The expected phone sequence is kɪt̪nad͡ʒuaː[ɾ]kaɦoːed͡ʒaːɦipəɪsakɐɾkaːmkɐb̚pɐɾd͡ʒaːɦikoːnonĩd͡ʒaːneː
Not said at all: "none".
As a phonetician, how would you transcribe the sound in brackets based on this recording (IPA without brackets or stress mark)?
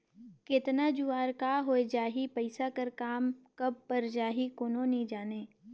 ɾ